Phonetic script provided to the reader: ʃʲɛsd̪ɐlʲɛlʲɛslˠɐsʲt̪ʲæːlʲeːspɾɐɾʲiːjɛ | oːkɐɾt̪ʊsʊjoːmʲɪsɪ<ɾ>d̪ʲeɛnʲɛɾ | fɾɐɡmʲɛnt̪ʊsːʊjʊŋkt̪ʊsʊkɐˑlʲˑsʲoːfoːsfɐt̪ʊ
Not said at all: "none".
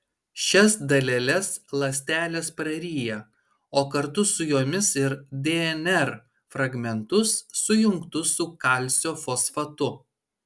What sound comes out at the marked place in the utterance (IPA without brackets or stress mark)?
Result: ɾ